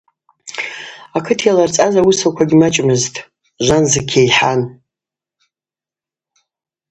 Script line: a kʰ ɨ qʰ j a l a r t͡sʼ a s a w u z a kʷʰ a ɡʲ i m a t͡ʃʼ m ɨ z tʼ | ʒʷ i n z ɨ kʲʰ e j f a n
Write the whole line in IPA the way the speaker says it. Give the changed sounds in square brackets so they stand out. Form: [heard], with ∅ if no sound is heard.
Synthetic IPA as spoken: a kʰ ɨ [tʰ] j a l a r t͡sʼ a [z] a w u [s] a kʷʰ a ɡʲ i m a t͡ʃʼ m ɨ z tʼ | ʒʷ [a] n z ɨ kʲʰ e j [ħ] a n